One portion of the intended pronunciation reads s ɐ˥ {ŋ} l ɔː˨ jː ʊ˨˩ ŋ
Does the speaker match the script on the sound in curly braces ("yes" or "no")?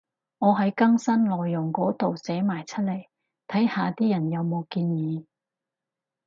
no